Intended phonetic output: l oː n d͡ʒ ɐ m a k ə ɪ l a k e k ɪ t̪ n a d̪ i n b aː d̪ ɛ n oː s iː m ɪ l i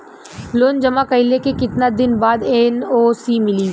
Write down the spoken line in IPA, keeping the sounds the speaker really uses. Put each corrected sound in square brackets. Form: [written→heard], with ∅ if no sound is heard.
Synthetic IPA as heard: l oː n d͡ʒ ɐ m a k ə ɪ l [a→e] k e k ɪ t̪ n a d̪ [i→ɪ] n b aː d̪ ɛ n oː s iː m ɪ l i